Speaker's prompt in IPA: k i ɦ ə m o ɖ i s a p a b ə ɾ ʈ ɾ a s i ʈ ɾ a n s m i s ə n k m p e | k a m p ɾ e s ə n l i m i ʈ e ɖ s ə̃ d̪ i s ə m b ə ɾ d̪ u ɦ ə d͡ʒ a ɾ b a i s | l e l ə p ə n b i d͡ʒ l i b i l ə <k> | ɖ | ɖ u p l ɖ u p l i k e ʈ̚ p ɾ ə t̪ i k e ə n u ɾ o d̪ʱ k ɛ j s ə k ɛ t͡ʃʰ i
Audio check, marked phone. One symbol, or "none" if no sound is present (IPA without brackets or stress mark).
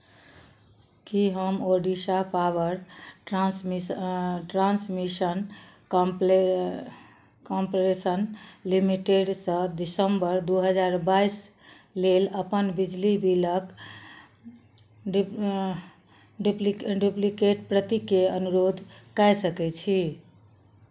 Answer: k